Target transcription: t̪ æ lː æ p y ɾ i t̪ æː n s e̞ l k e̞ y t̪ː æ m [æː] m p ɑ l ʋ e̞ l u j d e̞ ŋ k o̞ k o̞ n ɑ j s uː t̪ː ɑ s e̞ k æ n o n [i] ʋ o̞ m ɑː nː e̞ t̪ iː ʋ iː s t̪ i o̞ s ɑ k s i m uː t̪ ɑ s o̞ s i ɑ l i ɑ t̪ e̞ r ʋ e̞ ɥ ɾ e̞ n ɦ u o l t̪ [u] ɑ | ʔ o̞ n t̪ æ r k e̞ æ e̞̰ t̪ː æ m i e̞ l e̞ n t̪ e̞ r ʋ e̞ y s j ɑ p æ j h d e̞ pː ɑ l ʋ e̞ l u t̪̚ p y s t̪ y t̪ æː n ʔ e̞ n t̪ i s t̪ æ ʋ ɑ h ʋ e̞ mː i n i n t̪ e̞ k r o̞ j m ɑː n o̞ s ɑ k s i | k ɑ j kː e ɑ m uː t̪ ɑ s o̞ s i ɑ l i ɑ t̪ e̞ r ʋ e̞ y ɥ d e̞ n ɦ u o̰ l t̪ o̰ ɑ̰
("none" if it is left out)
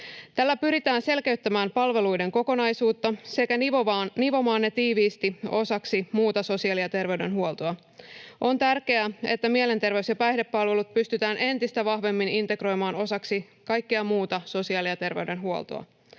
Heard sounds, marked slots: æː, i, o

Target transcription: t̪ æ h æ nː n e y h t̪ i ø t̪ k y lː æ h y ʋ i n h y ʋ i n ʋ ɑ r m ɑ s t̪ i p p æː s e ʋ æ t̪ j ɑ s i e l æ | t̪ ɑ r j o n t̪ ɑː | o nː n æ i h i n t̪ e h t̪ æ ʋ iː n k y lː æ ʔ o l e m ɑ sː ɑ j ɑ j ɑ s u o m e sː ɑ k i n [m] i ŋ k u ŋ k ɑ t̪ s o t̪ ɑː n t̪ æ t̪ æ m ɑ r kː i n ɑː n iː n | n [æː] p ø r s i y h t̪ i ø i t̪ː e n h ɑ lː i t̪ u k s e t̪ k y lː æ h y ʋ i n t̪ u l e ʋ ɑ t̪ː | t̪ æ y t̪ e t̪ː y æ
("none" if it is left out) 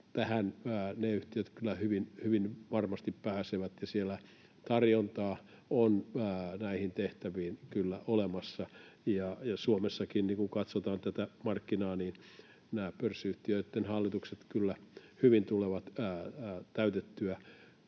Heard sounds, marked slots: n, æː

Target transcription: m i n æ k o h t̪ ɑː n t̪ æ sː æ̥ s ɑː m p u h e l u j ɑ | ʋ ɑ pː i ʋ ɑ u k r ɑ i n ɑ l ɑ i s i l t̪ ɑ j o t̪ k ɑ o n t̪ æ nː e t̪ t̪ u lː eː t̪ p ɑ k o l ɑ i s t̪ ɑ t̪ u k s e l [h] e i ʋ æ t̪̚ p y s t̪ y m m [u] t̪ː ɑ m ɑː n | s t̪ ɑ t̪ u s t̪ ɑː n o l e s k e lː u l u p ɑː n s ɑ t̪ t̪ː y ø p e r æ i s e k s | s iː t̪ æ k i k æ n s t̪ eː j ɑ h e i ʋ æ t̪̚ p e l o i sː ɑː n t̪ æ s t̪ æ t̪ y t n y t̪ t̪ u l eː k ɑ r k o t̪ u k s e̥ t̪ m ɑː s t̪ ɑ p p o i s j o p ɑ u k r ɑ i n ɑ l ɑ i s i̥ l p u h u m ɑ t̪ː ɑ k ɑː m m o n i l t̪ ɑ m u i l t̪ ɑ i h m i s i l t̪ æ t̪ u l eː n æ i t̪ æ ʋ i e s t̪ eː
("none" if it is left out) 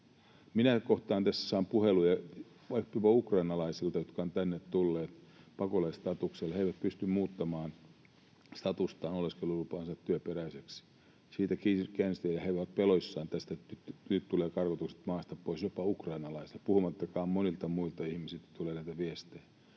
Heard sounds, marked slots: h, uː

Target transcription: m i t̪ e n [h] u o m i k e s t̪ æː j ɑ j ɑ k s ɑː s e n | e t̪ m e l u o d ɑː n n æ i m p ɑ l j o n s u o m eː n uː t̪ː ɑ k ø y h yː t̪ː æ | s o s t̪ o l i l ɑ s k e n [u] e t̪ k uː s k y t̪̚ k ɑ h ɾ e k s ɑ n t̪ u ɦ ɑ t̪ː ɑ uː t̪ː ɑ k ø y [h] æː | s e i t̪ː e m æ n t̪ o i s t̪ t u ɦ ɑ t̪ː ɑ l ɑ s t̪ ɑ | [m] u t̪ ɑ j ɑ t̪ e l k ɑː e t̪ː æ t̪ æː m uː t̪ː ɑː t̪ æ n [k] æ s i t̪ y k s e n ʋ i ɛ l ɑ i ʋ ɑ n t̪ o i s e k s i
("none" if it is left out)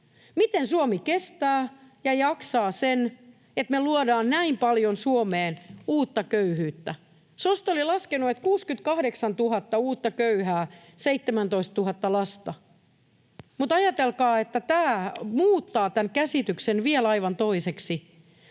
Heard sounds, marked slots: s, u, h, m, k

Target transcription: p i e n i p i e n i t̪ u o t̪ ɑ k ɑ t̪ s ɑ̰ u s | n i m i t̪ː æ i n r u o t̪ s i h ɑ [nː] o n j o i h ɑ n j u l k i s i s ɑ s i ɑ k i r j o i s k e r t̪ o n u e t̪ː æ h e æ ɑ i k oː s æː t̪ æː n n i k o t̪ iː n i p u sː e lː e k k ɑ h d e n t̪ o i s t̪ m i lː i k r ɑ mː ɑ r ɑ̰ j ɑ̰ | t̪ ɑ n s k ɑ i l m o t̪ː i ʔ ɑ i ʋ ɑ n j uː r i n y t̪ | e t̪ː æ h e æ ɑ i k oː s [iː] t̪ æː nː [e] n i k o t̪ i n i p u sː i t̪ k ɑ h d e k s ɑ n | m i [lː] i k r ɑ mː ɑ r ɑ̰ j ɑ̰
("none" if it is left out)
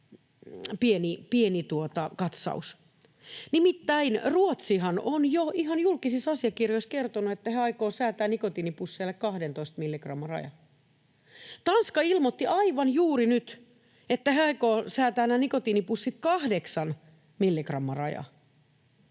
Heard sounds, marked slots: n, æː, æ, lː

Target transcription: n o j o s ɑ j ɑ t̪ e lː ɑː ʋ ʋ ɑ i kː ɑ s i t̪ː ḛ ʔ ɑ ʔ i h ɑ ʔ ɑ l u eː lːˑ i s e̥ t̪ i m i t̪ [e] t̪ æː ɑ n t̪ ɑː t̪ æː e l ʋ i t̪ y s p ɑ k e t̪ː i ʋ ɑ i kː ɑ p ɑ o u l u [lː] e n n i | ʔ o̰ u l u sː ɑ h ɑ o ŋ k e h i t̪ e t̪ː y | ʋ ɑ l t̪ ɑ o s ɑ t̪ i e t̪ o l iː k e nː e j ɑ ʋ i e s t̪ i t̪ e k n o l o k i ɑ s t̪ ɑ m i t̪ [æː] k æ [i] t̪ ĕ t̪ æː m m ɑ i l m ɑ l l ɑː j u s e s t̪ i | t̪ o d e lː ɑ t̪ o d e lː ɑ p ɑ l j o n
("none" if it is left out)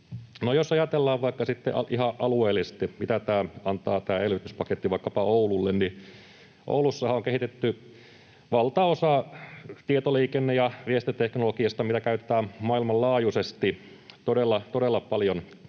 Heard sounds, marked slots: æ, lː, æ, y

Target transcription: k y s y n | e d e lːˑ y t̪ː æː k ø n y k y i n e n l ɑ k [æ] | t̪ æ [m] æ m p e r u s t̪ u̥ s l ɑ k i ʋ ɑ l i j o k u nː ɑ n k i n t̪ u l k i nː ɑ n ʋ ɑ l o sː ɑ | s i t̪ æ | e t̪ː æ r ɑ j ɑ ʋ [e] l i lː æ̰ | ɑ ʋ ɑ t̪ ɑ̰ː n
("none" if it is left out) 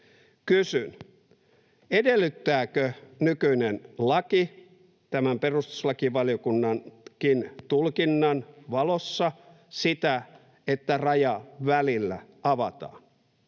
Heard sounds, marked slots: i, m, æ

